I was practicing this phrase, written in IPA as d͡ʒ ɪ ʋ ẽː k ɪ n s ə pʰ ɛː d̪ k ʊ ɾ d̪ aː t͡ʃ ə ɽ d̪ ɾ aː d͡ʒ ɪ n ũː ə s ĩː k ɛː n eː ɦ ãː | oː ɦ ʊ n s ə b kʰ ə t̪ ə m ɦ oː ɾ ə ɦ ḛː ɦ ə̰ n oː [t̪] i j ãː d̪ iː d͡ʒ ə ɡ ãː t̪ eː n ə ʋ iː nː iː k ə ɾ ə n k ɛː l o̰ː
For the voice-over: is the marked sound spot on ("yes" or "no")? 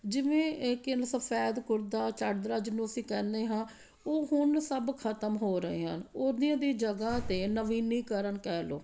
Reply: no